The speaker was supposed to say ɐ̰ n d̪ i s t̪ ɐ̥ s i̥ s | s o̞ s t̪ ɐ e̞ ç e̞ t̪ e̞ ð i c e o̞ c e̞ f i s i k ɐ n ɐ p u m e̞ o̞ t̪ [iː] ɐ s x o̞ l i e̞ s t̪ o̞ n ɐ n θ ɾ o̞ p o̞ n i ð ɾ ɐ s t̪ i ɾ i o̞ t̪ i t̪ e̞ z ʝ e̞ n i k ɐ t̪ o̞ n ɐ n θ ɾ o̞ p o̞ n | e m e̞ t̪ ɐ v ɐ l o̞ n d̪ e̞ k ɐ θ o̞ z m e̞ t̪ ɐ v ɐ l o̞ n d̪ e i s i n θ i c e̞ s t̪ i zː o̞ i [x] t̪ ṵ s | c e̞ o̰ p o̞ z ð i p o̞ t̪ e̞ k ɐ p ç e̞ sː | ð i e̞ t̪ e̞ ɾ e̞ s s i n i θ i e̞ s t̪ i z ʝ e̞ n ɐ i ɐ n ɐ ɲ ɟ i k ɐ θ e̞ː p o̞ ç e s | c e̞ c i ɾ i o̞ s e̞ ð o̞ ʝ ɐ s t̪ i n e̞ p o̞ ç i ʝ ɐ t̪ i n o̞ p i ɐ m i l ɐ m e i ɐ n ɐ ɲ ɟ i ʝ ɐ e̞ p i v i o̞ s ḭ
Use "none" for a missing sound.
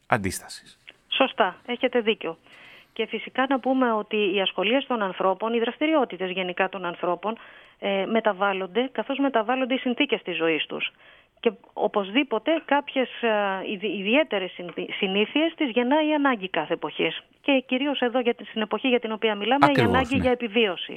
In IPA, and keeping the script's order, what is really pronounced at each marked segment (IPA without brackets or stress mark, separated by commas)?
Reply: iː, s